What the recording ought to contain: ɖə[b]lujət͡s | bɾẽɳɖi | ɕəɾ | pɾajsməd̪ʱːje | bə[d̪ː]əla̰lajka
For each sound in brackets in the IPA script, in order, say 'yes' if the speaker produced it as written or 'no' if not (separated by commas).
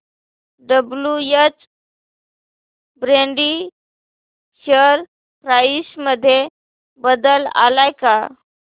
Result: yes, no